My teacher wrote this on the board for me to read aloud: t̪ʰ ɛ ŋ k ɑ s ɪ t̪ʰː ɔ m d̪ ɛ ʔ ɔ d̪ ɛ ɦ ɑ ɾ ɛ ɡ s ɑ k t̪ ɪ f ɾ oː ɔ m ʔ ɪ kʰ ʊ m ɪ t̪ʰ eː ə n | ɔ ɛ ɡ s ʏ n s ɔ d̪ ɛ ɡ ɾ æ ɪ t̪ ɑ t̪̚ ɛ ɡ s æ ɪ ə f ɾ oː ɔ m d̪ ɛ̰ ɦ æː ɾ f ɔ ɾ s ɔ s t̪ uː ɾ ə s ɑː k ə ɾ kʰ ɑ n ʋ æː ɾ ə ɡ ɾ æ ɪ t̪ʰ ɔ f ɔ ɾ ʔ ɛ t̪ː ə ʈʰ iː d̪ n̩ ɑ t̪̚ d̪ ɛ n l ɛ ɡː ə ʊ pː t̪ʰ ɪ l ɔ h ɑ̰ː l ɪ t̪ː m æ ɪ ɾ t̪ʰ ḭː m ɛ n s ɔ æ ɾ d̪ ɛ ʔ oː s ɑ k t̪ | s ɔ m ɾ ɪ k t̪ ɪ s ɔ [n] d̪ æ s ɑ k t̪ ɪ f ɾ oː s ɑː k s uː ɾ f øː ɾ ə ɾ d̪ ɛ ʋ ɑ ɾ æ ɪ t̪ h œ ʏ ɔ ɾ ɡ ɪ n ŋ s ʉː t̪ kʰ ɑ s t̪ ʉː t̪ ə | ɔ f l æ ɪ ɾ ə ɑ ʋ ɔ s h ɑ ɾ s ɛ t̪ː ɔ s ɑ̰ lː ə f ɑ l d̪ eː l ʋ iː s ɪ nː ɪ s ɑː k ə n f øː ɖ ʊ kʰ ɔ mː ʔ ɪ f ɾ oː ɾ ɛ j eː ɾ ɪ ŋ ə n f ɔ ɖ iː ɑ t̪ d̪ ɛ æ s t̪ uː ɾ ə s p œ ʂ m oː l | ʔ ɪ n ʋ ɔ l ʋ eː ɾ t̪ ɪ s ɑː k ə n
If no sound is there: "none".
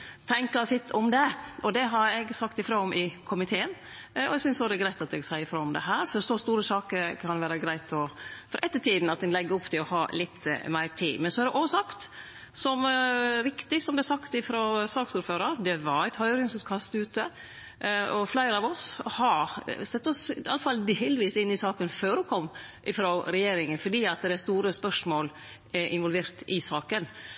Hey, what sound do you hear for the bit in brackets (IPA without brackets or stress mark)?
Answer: m